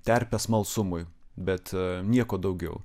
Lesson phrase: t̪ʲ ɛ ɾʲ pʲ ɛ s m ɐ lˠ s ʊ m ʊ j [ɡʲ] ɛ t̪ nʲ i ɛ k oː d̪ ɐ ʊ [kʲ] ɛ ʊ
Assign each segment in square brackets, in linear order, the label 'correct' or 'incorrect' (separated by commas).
incorrect, incorrect